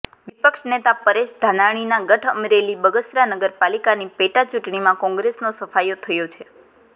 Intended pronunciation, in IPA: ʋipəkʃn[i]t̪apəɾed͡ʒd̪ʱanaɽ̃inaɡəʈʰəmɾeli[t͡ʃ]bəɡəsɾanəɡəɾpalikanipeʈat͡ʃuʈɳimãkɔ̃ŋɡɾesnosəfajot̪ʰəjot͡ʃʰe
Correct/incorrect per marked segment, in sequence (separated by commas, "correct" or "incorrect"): incorrect, incorrect